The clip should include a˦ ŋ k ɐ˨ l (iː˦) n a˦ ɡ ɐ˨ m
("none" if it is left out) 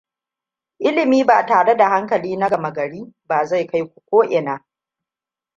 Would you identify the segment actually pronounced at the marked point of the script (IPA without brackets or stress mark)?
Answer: iː˦